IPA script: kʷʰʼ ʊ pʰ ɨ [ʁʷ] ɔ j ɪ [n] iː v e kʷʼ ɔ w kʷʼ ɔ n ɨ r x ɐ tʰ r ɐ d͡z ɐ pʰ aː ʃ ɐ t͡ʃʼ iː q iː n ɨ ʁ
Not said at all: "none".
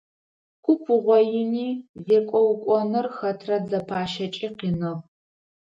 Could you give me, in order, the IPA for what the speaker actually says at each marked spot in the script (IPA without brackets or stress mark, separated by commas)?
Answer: ʁʷ, n